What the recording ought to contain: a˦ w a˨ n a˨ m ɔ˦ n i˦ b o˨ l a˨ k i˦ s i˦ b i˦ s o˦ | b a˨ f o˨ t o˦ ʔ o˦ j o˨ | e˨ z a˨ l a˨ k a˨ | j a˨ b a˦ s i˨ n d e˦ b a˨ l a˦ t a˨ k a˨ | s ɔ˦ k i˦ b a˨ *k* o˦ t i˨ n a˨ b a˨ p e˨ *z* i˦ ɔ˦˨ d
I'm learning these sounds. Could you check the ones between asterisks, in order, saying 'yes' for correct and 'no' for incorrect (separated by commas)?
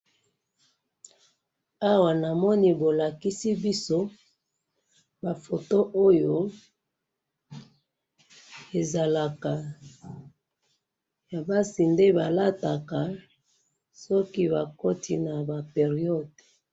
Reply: yes, no